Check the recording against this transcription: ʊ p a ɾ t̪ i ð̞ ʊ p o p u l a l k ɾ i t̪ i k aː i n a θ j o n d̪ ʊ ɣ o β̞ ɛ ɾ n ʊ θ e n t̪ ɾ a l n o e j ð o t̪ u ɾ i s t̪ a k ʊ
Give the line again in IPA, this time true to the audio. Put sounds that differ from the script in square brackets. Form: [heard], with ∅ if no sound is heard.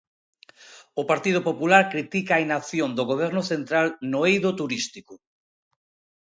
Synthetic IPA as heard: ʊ p a ɾ t̪ i ð̞ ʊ p o p u l a [ɾ] k ɾ i t̪ i k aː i n a θ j o n d̪ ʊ ɣ o β̞ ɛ ɾ n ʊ θ e n t̪ ɾ a l n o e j ð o t̪ u ɾ i s t̪ [i] k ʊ